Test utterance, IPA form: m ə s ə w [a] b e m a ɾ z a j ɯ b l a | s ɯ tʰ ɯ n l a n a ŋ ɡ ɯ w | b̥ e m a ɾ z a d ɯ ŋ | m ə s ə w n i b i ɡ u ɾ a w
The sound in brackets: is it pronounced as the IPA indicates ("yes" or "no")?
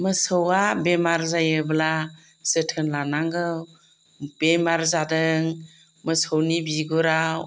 yes